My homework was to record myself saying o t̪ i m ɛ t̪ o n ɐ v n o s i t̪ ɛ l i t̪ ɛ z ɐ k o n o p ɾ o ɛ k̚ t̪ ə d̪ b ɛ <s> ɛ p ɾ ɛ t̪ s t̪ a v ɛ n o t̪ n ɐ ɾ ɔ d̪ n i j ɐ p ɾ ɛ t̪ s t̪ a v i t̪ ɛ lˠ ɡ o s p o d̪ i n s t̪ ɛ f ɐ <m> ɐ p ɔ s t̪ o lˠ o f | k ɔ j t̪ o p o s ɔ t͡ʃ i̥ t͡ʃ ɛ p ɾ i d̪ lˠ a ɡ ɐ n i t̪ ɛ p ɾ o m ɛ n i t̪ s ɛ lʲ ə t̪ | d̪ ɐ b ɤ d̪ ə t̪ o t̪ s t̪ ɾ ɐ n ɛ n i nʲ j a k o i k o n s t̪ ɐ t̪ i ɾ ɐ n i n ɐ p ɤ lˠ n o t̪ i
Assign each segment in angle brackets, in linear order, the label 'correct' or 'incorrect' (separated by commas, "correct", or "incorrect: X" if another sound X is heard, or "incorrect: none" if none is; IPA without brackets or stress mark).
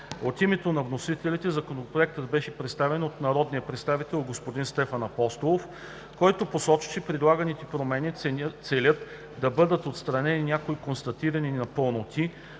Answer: incorrect: ʃ, incorrect: n